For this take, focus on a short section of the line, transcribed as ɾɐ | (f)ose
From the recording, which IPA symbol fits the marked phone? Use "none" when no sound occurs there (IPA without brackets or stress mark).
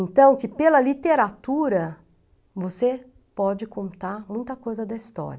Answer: v